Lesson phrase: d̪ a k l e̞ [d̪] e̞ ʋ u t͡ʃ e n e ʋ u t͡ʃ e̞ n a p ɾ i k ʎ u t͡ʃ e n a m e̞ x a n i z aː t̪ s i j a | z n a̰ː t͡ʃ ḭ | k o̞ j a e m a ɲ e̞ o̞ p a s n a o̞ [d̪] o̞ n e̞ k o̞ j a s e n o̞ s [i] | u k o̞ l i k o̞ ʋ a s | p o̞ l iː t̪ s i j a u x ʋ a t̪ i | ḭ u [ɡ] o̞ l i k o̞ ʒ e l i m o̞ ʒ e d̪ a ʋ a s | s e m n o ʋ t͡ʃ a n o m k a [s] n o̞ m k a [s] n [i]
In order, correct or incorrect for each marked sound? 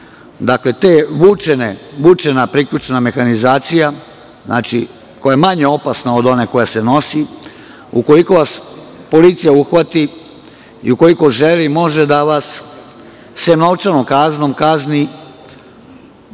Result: incorrect: t̪, correct, correct, incorrect: k, incorrect: z, incorrect: z, correct

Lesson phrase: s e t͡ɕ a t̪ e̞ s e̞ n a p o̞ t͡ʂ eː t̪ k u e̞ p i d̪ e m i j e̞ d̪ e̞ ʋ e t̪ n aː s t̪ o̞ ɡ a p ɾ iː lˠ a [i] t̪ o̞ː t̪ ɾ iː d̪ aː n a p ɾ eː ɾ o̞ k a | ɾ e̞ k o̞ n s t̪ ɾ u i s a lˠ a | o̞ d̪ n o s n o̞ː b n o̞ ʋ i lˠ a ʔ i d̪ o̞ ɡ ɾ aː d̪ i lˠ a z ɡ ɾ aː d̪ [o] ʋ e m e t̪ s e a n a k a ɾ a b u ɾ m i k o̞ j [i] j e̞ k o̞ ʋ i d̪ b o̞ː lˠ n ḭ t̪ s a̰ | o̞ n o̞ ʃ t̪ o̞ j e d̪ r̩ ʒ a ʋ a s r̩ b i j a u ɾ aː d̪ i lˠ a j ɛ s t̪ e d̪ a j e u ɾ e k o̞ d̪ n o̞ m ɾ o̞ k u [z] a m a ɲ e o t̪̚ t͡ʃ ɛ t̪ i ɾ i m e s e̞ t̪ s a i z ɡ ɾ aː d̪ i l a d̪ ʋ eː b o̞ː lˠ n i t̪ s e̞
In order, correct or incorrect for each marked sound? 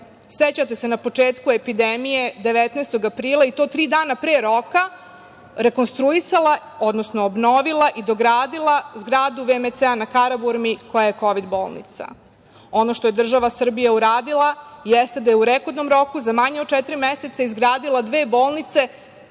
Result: correct, incorrect: u, incorrect: a, correct

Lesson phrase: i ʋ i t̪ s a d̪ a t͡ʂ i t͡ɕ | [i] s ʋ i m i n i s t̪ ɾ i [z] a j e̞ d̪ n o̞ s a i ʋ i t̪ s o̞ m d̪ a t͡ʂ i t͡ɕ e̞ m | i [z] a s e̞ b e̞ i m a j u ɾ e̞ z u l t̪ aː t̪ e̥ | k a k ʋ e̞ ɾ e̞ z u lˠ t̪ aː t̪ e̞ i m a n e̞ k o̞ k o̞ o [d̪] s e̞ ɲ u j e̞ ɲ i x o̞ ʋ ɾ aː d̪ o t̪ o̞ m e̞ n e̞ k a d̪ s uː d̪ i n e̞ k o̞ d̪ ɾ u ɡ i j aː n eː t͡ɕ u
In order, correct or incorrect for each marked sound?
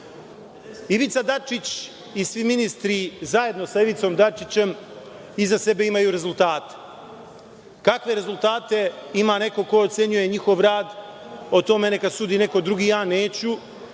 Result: correct, correct, correct, incorrect: t̪

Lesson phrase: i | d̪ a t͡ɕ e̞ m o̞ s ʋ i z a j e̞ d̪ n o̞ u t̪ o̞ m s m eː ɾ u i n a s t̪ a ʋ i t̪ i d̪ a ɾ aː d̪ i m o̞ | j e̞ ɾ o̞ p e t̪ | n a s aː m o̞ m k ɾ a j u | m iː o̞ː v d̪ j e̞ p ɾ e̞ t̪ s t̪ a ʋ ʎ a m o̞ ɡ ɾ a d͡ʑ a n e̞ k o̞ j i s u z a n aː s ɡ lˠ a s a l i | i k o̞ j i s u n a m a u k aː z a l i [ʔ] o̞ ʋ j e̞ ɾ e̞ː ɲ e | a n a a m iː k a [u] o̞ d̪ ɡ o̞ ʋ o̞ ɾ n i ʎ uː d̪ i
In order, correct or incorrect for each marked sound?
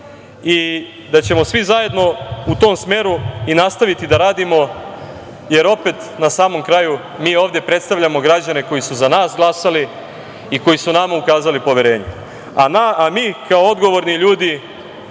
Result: incorrect: p, incorrect: o

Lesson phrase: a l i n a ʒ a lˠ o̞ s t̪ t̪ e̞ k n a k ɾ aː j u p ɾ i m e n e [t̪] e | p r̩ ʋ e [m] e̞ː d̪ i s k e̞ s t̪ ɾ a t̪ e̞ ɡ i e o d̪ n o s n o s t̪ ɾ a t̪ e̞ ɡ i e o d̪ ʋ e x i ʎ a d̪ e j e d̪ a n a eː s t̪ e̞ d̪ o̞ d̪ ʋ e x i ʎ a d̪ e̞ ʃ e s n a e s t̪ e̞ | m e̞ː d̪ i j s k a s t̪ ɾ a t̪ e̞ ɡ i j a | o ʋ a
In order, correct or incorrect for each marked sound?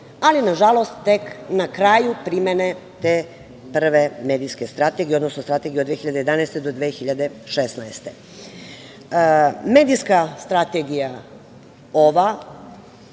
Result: correct, correct

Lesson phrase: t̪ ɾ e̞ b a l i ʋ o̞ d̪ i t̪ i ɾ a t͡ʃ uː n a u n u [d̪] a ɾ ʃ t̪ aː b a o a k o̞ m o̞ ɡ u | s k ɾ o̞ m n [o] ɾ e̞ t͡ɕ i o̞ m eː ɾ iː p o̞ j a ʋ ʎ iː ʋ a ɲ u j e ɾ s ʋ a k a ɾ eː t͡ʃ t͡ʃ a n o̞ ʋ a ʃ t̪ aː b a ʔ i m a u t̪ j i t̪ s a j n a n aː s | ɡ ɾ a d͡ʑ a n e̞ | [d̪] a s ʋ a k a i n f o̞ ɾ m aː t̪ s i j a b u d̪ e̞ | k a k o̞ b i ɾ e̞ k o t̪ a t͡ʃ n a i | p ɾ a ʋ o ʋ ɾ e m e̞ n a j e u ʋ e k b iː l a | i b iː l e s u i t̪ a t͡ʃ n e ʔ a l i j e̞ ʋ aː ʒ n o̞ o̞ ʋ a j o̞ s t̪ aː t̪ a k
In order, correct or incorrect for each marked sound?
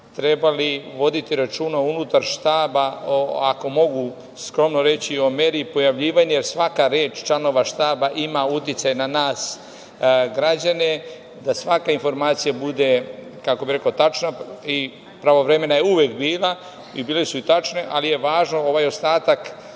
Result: incorrect: t̪, correct, correct

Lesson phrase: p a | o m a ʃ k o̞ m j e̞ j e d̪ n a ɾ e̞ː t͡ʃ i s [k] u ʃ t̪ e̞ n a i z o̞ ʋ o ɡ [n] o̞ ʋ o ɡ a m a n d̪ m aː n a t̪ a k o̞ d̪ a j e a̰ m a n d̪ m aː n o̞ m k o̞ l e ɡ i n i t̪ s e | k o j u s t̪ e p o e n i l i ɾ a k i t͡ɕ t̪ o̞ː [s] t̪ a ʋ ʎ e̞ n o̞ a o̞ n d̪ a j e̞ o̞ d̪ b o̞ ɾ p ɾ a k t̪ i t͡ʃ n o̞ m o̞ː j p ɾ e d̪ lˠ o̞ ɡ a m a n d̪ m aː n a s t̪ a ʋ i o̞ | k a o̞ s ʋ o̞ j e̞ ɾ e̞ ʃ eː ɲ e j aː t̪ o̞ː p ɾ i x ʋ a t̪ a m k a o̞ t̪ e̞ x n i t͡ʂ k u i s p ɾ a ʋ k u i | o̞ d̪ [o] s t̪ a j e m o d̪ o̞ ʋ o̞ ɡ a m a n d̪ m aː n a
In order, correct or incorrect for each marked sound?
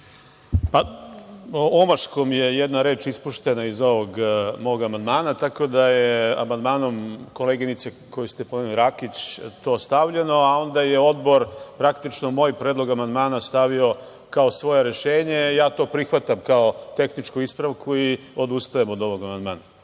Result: incorrect: p, incorrect: m, correct, incorrect: u

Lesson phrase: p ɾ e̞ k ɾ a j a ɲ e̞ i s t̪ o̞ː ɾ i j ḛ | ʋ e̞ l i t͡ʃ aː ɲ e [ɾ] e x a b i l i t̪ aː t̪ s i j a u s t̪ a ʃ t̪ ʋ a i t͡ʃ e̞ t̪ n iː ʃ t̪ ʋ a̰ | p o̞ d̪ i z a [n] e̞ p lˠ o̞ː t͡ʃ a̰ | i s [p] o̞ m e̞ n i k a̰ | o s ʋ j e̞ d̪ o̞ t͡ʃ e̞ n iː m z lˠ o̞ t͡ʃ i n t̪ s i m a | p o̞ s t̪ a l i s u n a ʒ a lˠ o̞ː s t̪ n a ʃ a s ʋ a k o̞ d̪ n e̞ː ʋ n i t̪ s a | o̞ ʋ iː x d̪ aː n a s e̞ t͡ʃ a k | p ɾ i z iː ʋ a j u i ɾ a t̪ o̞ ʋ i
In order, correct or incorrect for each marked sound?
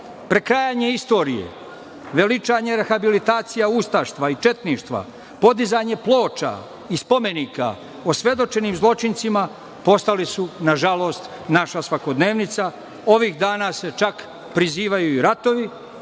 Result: correct, incorrect: ɲ, correct

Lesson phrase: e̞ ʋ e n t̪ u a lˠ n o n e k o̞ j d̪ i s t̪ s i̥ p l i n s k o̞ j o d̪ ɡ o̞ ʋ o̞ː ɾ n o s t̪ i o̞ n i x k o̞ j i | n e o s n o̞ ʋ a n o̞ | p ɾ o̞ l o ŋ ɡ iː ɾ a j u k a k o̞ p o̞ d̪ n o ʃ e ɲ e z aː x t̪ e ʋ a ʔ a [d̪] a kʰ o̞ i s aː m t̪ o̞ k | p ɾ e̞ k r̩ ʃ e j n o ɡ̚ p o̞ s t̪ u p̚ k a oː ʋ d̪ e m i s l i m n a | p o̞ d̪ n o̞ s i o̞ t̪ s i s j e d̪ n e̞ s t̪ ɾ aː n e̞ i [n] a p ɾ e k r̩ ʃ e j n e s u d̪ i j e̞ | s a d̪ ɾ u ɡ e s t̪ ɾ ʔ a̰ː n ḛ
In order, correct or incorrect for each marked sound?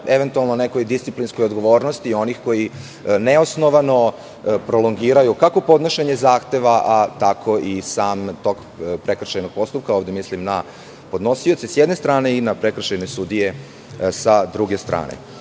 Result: incorrect: t̪, correct

